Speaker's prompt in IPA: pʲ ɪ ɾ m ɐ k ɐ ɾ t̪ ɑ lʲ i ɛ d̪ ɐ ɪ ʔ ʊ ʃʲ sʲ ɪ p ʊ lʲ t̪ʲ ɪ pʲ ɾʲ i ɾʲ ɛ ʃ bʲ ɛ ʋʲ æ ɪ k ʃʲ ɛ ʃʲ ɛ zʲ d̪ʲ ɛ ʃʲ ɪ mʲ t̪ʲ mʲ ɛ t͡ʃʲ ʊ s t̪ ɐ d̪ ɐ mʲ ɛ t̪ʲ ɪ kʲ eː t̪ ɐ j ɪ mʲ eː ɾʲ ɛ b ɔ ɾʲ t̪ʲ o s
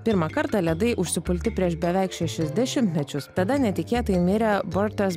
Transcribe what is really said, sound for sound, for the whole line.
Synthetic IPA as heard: pʲ ɪ ɾ m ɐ k ɐ ɾ t̪ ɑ lʲ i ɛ d̪ ɐ ɪ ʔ ʊ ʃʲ sʲ ɪ p ʊ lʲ t̪ʲ ɪ pʲ ɾʲ i ɛ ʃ bʲ ɛ ʋʲ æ ɪ k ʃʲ ɛ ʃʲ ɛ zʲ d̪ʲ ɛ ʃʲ ɪ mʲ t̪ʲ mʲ ɛ t͡ʃʲ ʊ s t̪ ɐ d̪ ɐ nʲ ɛ t̪ʲ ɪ kʲ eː t̪ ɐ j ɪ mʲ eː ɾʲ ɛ b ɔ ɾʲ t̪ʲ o s